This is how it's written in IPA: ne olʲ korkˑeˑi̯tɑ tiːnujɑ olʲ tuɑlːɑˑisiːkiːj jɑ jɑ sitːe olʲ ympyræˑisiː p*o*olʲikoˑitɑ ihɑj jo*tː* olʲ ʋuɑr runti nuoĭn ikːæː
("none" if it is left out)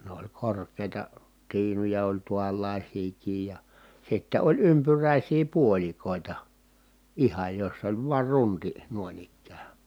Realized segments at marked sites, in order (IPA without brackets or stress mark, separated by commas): u, sː